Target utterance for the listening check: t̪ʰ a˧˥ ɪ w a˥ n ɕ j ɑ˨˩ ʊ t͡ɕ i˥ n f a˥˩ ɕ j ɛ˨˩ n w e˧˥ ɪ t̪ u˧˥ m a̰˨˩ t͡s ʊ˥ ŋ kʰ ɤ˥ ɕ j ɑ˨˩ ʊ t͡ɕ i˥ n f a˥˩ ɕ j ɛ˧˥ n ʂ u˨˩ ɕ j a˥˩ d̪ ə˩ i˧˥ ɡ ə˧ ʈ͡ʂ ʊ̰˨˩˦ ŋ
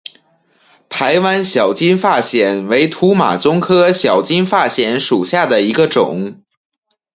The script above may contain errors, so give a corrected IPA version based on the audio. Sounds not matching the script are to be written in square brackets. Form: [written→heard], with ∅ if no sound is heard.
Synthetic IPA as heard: t̪ʰ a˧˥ ɪ w a˥ n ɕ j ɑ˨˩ ʊ t͡ɕ i˥ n f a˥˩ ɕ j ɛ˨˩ n w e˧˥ ɪ [t̪→t̪ʰ] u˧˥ m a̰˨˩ t͡s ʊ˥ ŋ kʰ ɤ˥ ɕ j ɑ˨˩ ʊ t͡ɕ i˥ n f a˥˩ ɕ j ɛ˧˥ n ʂ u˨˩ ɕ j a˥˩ d̪ ə˩ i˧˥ ɡ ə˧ ʈ͡ʂ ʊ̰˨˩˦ ŋ